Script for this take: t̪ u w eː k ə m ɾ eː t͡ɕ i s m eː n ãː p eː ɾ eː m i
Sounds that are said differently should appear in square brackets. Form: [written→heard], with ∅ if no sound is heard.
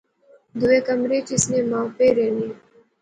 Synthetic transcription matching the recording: [t̪→d̪] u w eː k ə m ɾ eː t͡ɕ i s [m→n] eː [n→m] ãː p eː ɾ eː [m→n] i